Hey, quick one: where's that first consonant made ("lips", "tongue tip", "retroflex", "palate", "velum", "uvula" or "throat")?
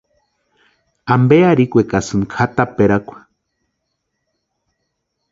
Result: lips